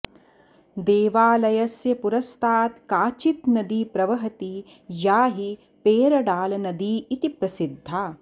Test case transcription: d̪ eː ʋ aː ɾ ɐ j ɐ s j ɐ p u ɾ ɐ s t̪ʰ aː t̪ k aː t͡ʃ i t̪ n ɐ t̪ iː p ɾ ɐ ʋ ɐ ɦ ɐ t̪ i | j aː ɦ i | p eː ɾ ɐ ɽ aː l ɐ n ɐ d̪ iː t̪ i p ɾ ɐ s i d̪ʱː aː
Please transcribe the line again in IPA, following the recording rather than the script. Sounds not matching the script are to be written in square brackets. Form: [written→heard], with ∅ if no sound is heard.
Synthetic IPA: d̪ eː ʋ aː [ɾ→l] ɐ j ɐ s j ɐ p u ɾ ɐ s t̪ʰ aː t̪ k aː t͡ʃ i t̪ n ɐ [t̪→d̪] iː p ɾ ɐ ʋ ɐ ɦ ɐ t̪ i | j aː ɦ i | p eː ɾ ɐ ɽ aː l ɐ n ɐ d̪ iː t̪ i p ɾ ɐ s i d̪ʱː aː